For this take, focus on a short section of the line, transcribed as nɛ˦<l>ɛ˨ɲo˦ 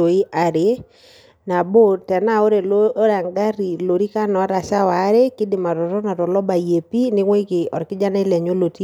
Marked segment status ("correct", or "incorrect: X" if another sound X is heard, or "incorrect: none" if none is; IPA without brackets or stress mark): correct